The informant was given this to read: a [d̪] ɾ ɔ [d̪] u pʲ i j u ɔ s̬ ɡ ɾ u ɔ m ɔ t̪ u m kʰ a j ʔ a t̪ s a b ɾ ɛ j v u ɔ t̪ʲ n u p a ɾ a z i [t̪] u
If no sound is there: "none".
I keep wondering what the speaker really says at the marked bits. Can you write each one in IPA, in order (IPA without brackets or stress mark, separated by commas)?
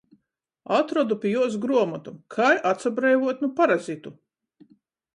t̪, d̪, t̪